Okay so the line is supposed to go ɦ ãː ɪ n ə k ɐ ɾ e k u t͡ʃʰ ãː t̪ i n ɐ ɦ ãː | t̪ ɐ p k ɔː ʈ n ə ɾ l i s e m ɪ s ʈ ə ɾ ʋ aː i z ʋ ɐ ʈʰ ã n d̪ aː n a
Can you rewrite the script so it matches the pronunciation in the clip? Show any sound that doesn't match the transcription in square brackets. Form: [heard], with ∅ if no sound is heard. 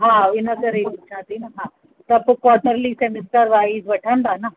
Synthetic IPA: ɦ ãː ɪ n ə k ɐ ɾ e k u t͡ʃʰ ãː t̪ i n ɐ ɦ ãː | t̪ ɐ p k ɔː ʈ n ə ɾ l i s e m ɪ s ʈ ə ɾ ʋ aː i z ʋ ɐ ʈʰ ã n d̪ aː n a

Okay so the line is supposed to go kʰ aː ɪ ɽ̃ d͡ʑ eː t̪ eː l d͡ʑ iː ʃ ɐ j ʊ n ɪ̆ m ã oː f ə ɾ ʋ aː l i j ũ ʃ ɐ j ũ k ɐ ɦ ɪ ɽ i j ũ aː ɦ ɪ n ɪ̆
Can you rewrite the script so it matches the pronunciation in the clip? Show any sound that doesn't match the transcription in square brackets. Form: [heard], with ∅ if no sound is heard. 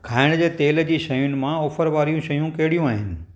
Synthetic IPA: kʰ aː ɪ ɽ̃ d͡ʑ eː t̪ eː l d͡ʑ iː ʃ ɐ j ʊ n ɪ̆ m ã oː f ə ɾ ʋ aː [ɾ] i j ũ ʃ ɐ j ũ k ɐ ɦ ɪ ɽ i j ũ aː ɦ ɪ n ɪ̆

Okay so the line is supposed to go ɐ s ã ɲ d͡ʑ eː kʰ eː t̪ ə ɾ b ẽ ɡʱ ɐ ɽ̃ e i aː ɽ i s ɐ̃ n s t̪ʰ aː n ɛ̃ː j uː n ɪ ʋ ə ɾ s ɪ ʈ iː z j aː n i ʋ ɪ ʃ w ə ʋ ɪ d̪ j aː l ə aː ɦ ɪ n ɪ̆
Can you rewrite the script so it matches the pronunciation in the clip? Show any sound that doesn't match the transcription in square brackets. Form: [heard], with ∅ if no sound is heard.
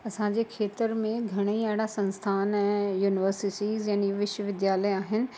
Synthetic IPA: ɐ s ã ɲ d͡ʑ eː kʰ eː t̪ ə ɾ [m] ẽ ɡʱ ɐ ɽ̃ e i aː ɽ [a] s ɐ̃ n s t̪ʰ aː n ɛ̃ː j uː n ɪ ʋ ə ɾ s ɪ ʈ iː z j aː n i ʋ ɪ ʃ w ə ʋ ɪ d̪ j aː l ə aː ɦ ɪ n ɪ̆

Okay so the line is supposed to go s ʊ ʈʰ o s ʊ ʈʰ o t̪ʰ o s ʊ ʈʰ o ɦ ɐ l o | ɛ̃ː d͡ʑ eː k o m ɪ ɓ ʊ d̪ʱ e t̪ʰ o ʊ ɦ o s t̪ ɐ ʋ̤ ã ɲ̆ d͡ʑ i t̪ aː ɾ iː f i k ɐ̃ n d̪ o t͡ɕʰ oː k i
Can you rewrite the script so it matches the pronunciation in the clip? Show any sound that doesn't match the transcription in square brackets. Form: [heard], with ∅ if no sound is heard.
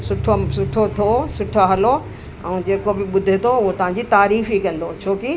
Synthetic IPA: s ʊ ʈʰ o s ʊ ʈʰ o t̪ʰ o s ʊ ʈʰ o ɦ ɐ l o | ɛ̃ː d͡ʑ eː k o [b] ɪ ɓ ʊ d̪ʱ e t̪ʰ o ʊ ɦ o [∅] t̪ ɐ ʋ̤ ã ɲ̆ d͡ʑ i t̪ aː ɾ iː f i k ɐ̃ n d̪ o t͡ɕʰ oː k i

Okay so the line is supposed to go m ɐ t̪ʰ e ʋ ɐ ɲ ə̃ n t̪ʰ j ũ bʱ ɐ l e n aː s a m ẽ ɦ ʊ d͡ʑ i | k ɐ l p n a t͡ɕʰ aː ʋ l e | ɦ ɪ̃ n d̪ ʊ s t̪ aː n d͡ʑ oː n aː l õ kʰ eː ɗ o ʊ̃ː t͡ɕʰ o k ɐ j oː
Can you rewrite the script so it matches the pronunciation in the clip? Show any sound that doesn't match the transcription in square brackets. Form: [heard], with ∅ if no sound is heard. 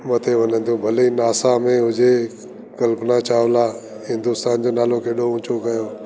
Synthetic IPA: m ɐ t̪ʰ e ʋ ɐ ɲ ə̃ n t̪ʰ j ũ bʱ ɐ l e n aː s a m ẽ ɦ ʊ d͡ʑ [e] | k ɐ l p n a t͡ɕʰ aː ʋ l [a] | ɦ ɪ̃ n d̪ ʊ s t̪ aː n d͡ʑ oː n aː l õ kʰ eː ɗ o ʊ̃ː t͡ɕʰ o k ɐ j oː

